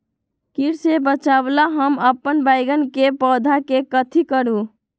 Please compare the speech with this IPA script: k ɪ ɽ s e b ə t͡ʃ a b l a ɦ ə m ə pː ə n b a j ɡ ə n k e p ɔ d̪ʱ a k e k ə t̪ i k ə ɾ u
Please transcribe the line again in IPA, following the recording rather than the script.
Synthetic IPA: k i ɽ s e b ə t͡ʃ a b l a ɦ ə m ə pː ə n b a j ɡ ə n k e p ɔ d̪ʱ a k e k ə t̪ʰ i k ə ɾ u